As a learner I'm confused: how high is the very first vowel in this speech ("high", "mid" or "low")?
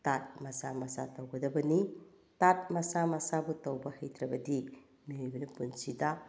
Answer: low